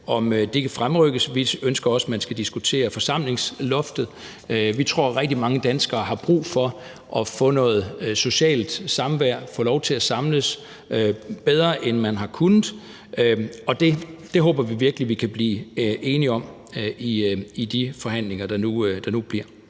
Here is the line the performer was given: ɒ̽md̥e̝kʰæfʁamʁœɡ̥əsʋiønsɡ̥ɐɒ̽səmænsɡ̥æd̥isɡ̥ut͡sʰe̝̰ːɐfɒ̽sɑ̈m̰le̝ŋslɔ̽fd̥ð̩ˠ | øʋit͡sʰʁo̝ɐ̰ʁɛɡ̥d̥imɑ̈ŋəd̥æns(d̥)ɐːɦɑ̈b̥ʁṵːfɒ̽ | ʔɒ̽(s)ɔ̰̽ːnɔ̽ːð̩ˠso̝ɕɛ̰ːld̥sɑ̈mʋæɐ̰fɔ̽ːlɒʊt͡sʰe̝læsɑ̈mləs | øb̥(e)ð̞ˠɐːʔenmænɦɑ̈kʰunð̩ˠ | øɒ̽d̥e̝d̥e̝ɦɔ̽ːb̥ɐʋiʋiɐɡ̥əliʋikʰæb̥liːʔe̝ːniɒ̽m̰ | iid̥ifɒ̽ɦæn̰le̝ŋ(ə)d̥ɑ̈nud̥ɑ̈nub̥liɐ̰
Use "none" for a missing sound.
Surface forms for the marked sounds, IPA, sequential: ɡ̥, f, e, ɐ

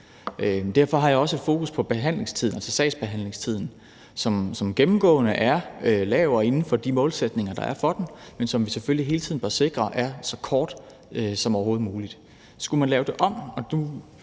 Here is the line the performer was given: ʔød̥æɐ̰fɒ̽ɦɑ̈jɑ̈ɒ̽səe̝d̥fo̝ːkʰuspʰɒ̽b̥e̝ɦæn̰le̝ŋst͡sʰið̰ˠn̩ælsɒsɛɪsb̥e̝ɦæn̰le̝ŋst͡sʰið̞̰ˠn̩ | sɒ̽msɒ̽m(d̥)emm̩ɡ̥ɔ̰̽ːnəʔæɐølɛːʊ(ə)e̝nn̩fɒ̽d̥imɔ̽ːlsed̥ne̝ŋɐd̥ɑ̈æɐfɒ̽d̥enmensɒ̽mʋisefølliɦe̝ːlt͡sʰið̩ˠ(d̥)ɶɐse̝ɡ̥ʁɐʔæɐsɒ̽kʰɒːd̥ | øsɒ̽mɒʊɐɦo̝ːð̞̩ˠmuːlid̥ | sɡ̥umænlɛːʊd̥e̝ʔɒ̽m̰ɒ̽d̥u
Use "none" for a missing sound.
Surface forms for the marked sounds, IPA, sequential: ɡ̥, ɐ, b̥

